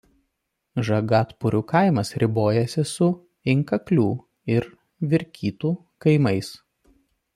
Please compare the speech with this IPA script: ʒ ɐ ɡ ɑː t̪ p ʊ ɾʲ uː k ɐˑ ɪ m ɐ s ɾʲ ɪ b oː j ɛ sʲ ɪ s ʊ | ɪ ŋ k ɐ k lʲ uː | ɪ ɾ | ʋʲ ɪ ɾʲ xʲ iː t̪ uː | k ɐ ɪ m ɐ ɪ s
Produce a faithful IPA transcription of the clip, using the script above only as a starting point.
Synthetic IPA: ʒ ɐ ɡ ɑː t̪ p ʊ ɾʲ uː k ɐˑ ɪ m ɐ s ɾʲ ɪ b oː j ɛ sʲ ɪ s ʊ | ɪ ŋ k ɐ k lʲ uː | ɪ ɾ | ʋʲ ɪ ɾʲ kʲ iː t̪ uː | k ɐ ɪ m ɐ ɪ s